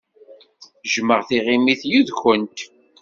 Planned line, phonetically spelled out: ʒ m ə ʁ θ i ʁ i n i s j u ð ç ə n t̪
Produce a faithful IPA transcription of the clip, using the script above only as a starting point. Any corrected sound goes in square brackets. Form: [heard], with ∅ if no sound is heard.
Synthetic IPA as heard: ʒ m ə ʁ θ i ʁ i [m] i [θ] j u ð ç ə n t̪